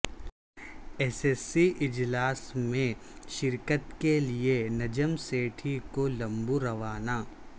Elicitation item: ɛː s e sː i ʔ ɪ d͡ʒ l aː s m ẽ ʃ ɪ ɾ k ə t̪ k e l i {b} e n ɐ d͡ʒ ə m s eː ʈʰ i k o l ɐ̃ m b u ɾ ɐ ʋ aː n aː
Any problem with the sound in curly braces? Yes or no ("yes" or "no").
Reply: yes